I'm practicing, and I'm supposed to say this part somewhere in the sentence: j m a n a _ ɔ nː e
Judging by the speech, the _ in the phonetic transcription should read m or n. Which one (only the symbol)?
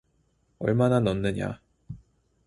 n